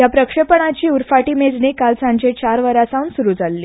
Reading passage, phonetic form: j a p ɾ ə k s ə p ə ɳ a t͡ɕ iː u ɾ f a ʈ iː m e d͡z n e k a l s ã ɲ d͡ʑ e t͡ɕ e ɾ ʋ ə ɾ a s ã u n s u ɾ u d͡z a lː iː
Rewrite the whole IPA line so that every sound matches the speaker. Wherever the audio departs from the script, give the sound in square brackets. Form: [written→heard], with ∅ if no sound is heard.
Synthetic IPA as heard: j a p ɾ ə k [s→ʂ] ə p ə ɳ a t͡ɕ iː u ɾ f a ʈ iː m e d͡z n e k a l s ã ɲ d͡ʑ e t͡ɕ [e→a] ɾ ʋ ə ɾ a s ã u n s u ɾ u d͡z a lː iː